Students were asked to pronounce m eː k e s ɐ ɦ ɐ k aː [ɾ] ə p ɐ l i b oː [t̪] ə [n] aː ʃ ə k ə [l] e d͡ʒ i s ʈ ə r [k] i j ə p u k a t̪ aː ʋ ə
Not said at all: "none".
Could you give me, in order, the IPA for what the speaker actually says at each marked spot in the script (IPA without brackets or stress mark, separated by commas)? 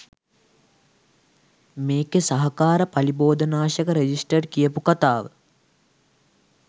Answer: ɾ, d̪, n, ɾ, k